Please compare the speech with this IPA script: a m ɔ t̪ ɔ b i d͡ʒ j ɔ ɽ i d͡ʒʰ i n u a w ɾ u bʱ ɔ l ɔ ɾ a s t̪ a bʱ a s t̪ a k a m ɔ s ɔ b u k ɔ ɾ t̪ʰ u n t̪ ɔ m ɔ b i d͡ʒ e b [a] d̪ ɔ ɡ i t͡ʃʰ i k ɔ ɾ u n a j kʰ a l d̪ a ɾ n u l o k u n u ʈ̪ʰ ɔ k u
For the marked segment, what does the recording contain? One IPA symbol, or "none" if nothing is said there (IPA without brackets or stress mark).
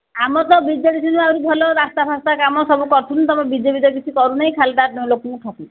i